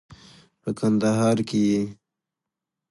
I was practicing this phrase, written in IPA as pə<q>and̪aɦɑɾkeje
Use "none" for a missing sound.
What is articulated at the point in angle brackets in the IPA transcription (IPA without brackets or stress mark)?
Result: k